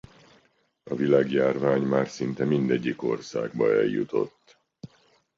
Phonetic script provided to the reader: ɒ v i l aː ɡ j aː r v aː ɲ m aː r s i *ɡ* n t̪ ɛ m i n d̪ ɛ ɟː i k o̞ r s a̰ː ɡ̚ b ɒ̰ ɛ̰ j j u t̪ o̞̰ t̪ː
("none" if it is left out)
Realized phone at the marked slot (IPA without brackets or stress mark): none